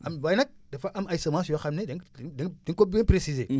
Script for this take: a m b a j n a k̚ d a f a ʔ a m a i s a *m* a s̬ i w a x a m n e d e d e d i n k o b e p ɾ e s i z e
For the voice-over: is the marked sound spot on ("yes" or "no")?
yes